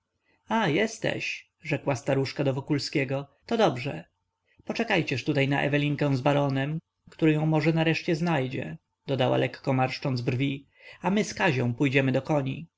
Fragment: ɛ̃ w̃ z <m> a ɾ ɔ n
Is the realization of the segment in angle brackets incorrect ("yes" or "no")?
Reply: yes